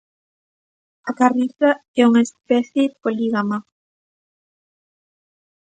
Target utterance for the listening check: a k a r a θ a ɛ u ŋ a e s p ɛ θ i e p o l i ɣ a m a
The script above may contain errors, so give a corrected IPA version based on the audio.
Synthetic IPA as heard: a k a r i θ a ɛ u ŋ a e s p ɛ θ j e p o l i ɣ a m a